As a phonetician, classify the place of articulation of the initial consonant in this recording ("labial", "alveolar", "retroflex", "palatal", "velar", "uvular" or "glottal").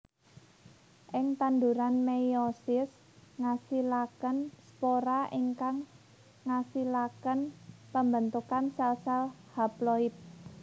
glottal